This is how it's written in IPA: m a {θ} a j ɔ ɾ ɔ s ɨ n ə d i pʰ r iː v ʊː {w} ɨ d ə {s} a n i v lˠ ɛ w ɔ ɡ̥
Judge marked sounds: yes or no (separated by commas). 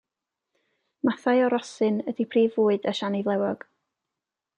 yes, no, no